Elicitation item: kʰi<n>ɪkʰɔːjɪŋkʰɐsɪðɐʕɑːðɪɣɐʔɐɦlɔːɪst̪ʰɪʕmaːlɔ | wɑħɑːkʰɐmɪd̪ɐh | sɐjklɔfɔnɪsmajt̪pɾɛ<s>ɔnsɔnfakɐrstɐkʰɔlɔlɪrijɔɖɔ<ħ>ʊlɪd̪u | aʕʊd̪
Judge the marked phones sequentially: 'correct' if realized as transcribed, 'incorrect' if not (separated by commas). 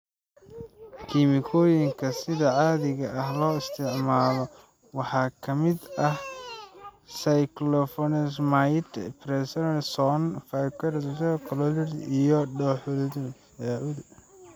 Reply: incorrect, correct, correct